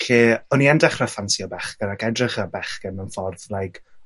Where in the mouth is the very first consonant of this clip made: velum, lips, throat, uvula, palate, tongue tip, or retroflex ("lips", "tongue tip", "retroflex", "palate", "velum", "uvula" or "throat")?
tongue tip